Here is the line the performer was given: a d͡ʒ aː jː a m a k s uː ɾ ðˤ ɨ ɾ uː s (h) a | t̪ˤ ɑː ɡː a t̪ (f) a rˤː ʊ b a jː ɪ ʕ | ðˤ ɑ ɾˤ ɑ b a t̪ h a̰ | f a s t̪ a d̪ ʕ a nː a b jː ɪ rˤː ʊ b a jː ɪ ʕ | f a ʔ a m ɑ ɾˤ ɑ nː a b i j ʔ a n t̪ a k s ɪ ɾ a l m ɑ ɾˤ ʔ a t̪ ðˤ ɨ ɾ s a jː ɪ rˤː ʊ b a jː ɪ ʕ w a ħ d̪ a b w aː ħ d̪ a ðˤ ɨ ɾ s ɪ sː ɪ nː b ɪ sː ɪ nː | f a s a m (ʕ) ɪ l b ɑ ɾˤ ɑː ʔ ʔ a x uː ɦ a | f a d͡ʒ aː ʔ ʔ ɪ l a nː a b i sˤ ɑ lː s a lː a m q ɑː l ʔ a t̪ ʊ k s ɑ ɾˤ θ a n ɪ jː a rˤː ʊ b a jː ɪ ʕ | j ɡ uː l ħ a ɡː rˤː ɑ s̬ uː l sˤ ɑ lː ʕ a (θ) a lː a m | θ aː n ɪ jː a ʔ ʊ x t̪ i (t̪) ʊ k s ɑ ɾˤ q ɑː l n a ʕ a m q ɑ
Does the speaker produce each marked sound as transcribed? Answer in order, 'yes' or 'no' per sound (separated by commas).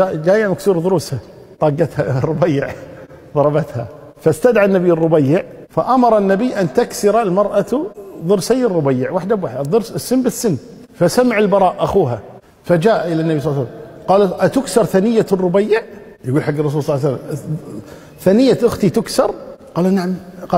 yes, no, yes, no, yes